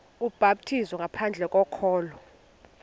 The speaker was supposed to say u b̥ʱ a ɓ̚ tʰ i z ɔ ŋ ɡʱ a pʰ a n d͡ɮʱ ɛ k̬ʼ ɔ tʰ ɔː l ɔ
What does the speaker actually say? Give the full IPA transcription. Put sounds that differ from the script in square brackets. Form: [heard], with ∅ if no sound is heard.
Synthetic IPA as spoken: u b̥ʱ a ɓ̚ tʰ i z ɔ ŋ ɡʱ a pʰ a n d͡ɮʱ ɛ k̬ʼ ɔ [kʰ] ɔː l ɔ